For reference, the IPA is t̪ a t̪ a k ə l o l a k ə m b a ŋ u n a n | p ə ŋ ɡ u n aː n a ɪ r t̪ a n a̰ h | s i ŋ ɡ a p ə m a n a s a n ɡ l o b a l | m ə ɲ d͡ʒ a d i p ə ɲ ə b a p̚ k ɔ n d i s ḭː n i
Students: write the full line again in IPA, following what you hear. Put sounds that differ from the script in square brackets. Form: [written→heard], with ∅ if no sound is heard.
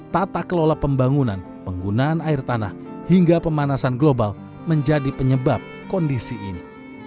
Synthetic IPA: t̪ a t̪ a k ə l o l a [k→p] ə m b a ŋ u n a n | p ə ŋ ɡ u n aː n a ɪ r t̪ a n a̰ h | [s→h] i ŋ ɡ a p ə m a n a s a n ɡ l o b a l | m ə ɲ d͡ʒ a d i p ə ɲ ə b a p̚ k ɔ n d i s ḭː n i